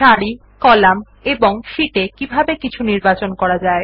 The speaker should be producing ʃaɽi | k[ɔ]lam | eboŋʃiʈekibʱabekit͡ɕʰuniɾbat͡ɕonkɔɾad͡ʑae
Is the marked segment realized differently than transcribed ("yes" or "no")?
no